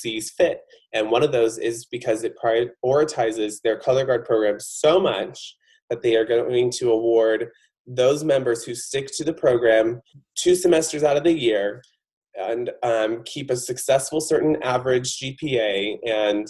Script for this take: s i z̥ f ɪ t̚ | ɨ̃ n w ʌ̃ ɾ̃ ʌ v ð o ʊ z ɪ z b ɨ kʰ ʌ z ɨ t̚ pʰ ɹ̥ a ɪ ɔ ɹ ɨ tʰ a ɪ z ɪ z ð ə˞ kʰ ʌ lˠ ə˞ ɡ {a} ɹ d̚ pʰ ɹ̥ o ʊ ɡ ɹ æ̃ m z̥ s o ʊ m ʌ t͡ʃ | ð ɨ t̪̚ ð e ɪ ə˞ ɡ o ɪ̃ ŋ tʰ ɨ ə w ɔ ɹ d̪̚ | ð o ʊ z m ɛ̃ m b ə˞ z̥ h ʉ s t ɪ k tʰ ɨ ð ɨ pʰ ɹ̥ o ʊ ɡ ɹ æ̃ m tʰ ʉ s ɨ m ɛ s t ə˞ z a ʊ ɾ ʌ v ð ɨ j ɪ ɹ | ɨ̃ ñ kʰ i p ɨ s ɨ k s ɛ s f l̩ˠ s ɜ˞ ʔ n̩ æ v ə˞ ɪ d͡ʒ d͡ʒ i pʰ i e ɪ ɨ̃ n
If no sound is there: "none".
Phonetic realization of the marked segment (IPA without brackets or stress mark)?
ɑ